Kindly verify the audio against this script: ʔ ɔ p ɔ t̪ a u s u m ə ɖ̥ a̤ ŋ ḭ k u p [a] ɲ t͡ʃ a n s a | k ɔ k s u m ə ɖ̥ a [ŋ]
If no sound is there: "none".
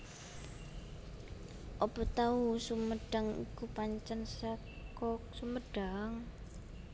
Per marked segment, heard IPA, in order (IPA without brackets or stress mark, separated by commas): a, ŋ